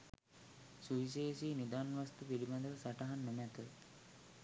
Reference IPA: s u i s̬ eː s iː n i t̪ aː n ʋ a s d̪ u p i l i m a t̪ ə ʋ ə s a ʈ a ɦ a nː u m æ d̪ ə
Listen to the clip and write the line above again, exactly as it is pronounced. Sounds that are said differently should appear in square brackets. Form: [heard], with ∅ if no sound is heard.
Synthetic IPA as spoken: s u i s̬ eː s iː n i [d̪] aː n ʋ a s [t̪] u p i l i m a [d̪] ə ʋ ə s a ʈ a ɦ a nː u m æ [t̪] ə